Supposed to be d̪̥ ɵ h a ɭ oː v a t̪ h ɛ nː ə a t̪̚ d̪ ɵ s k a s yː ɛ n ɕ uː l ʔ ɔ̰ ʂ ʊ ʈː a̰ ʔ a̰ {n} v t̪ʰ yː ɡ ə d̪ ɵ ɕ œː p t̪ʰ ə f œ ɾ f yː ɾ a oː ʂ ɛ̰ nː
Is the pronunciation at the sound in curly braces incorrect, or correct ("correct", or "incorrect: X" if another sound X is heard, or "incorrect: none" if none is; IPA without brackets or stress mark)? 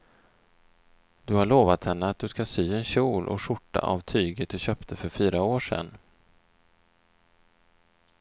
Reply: incorrect: none